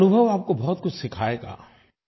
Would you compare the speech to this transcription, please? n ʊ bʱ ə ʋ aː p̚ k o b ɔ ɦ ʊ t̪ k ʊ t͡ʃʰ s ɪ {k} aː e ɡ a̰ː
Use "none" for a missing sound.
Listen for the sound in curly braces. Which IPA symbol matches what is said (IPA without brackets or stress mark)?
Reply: kʰ